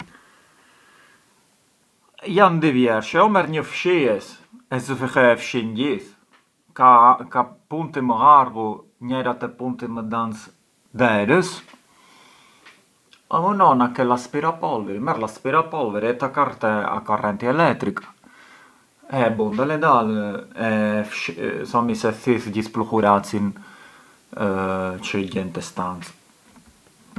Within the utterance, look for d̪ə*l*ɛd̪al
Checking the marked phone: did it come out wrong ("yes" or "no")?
no